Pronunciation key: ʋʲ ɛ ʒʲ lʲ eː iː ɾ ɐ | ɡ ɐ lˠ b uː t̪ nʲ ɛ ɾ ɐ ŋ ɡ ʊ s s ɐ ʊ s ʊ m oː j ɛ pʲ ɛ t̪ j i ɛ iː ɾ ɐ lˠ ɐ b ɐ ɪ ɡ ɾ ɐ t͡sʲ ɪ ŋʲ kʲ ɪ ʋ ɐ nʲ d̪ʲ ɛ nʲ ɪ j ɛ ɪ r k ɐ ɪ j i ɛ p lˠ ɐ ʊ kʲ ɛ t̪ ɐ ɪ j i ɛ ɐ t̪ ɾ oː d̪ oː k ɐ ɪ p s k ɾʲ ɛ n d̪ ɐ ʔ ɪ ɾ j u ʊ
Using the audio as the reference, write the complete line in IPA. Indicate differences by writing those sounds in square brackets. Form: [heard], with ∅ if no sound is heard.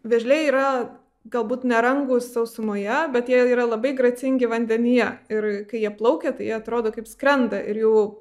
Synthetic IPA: ʋʲ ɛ ʒʲ lʲ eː iː ɾ ɐ | ɡ ɐ lˠ b uː t̪ nʲ ɛ ɾ ɐ ŋ ɡ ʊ s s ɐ ʊ s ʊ m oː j ɛ [bʲ] ɛ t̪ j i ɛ iː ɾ ɐ lˠ ɐ b ɐ ɪ ɡ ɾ ɐ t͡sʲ ɪ ŋʲ [ɡʲ] ɪ ʋ ɐ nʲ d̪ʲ ɛ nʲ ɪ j ɛ ɪ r k ɐ ɪ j i ɛ p lˠ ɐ ʊ kʲ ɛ t̪ ɐ ɪ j i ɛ ɐ t̪ ɾ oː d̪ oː k ɐ ɪ p s k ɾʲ ɛ n d̪ ɐ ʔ ɪ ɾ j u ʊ